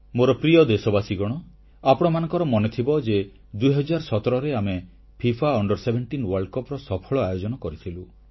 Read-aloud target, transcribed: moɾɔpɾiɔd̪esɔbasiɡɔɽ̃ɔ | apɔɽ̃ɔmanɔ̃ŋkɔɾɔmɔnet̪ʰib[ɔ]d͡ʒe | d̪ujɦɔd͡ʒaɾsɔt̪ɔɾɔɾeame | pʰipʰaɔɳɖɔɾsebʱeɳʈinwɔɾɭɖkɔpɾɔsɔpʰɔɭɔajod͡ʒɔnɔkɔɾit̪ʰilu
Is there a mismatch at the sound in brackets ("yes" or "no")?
no